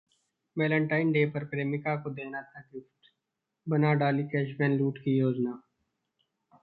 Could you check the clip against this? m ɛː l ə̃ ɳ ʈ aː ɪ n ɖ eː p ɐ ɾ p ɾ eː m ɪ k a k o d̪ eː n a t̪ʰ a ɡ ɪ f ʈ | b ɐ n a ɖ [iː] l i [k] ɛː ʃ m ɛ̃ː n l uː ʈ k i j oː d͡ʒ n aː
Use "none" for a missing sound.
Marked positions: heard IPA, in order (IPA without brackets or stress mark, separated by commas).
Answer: aː, k